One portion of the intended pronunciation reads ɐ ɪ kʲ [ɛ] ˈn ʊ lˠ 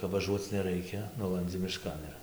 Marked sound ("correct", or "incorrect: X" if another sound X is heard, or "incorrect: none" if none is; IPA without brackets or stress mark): correct